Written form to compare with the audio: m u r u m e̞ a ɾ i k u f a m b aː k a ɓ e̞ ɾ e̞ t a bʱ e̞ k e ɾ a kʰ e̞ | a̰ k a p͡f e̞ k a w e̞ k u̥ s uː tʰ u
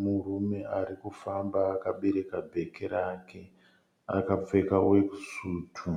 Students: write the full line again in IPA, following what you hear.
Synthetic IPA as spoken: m u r u m e̞ a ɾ i k u f a m b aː k a ɓ e̞ ɾ e̞ k a bʱ e̞ k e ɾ a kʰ e̞ | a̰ k a p͡f e̞ k a w e̞ k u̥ s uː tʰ u

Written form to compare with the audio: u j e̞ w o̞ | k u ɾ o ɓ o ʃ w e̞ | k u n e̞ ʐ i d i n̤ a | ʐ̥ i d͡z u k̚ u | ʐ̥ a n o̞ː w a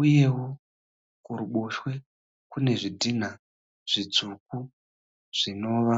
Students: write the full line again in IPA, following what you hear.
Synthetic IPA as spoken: u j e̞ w o̞ | k u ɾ u ɓ o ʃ w e̞ | k u n e̞ ʐ i d i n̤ a | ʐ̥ i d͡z u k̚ u | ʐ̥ i n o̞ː ʋ a

